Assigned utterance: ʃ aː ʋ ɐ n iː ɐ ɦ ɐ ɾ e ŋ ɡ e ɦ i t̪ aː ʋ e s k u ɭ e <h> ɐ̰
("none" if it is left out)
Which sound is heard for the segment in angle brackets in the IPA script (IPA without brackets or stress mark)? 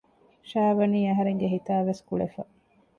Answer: f